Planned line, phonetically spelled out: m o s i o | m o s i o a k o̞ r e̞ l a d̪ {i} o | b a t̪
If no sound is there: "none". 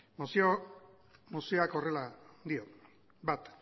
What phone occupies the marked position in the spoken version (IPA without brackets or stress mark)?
i